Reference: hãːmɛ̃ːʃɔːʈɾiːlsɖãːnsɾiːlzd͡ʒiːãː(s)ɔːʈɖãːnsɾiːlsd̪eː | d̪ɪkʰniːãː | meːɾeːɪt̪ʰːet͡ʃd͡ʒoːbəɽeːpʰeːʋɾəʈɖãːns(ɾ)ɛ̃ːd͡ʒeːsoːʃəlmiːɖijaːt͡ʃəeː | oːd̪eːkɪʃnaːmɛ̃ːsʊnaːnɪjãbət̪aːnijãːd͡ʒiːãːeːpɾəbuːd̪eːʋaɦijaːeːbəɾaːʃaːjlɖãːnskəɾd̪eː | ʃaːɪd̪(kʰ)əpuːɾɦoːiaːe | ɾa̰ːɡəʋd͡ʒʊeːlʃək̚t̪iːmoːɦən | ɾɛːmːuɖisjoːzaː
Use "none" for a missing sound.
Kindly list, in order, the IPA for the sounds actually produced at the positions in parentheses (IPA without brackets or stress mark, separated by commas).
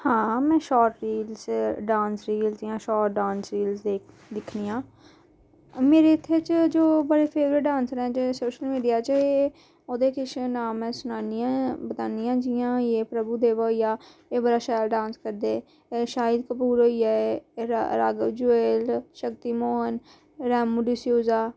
ʃ, ɾ, k